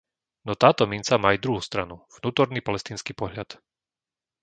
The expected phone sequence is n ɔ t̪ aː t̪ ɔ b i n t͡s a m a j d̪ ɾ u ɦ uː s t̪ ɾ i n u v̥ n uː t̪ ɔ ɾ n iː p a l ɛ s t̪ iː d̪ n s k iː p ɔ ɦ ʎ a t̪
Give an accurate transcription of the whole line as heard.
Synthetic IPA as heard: n ɔ t̪ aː t̪ ɔ m i n t͡s a m a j d̪ ɾ u ɦ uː s t̪ ɾ a n u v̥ n uː t̪ ɔ ɾ n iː p a l ɛ s t̪ iː n s k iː p ɔ ɦ ʎ a t̪

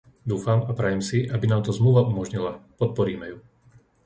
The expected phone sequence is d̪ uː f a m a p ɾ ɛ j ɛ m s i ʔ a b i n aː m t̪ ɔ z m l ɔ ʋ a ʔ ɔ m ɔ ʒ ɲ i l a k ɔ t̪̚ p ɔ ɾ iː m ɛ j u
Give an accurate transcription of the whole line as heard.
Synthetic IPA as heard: d̪ uː f a m a p ɾ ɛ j ɛ m s i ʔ a b i n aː m t̪ ɔ z m l u ʋ a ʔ u m ɔ ʒ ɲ i l a p ɔ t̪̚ p ɔ ɾ iː m ɛ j u

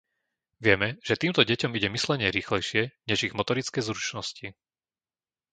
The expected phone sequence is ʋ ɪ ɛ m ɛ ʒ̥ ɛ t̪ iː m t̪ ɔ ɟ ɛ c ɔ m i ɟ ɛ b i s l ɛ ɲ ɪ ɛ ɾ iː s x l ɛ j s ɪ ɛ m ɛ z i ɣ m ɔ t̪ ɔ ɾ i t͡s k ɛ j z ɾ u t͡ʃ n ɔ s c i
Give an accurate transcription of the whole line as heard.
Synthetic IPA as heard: ʋ ɪ ɛ m ɛ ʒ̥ ɛ t̪ iː m t̪ ɔ ɟ ɛ c ɔ m i ɟ ɛ m i s l ɛ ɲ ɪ ɛ ɾ iː x l ɛ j ʃ ɪ ɛ ɲ ɛ ʒ i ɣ m ɔ t̪ ɔ ɾ i t͡s k ɛ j z ɾ u t͡ʃ n ɔ s c i

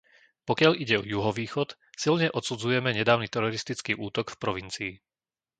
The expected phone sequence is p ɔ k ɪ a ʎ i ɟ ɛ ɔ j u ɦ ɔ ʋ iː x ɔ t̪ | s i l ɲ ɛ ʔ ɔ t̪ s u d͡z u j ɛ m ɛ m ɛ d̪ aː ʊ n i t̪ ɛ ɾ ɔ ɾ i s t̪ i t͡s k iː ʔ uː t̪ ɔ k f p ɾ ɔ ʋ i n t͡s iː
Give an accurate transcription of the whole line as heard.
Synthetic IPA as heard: p ɔ k ɪ a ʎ i ɟ ɛ ɔ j u ɦ ɔ ʋ iː x ɔ t̪ | s i l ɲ ɛ ʔ ɔ t̪ s u d͡z u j ɛ m ɛ ɲ ɛ d̪ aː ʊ n i t̪ ɛ ɾ ɔ ɾ i s t̪ i t͡s k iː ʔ uː t̪ ɔ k f p ɾ ɔ ʋ i n t͡s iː

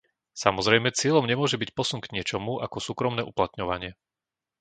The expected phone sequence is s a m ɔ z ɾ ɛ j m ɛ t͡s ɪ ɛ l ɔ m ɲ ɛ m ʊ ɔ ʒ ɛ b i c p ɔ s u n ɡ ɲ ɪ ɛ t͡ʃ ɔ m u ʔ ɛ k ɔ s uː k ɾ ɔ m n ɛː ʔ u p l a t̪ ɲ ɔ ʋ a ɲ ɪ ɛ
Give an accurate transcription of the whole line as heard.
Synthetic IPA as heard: s a m ɔ z ɾ ɛ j m ɛ t͡s ɪ ɛ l ɔ m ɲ ɛ m ʊ ɔ ʒ ɛ b i c p ɔ s u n ɡ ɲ ɪ ɛ t͡ʃ ɔ m u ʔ a k ɔ s uː k ɾ ɔ m n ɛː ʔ u p l a t̪ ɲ ɔ ʋ a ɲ ɪ ɛ

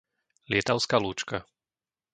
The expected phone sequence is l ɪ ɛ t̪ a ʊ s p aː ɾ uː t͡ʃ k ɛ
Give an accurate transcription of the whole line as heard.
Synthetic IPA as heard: l ɪ ɛ t̪ a ʊ s k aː l uː t͡ʃ k a

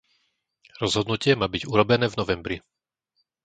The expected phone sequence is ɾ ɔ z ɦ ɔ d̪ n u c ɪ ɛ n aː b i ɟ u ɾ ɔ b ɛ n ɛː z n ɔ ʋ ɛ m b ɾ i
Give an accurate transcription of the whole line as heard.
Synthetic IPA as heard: ɾ ɔ z ɦ ɔ d̪ n u c ɪ ɛ m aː b i ɟ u ɾ ɔ b ɛ n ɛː v n ɔ ʋ ɛ m b ɾ i

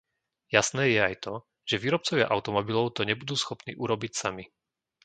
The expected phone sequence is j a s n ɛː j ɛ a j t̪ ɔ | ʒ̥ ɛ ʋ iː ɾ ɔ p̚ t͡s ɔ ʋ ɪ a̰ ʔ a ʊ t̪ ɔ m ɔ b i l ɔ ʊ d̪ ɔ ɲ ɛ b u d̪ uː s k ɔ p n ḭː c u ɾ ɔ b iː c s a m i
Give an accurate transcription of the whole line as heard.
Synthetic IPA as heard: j a s n ɛː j ɛ a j t̪ ɔ | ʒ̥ ɛ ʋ iː ɾ ɔ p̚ t͡s ɔ ʋ ɪ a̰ ʔ a ʊ t̪ ɔ m ɔ b i l ɔ ʊ t̪ ɔ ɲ ɛ b u d̪ uː s x ɔ p n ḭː ʔ u ɾ ɔ b i c s a m i

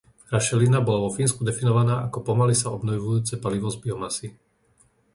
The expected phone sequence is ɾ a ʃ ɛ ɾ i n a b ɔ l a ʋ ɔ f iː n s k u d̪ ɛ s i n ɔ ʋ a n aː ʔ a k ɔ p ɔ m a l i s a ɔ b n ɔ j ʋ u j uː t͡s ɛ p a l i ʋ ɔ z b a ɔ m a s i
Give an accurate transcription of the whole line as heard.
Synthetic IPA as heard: ɾ a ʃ ɛ l i n a b ɔ l a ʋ ɔ f iː n s k u d̪ ɛ f i n ɔ ʋ a n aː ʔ a k ɔ p ɔ m a l i s a ɔ b n ɔ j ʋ u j uː t͡s ɛ p a l i ʋ ɔ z b i ɔ m a s i

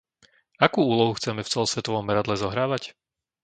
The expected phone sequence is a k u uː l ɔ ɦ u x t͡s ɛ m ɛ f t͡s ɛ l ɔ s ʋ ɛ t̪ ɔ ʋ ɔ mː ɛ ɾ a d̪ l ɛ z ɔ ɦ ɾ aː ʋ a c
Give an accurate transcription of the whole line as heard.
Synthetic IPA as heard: a k uː uː l ɔ ɦ u x t͡s ɛ m ɛ f t͡s ɛ l ɔ s ʋ ɛ t̪ ɔ ʋ ɔ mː ɛ ɾ a d̪ l ɛ z ɔ ɦ ɾ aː ʋ a c

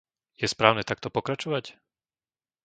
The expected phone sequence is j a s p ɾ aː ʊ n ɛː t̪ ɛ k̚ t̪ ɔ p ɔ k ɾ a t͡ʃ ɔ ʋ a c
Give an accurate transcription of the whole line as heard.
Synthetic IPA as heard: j ɛ s p ɾ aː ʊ n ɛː t̪ a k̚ t̪ ɔ p ɔ k ɾ a t͡ʃ ɔ ʋ a c

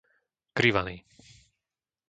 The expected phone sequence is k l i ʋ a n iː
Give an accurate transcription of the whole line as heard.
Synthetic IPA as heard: k ɾ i ʋ a n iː

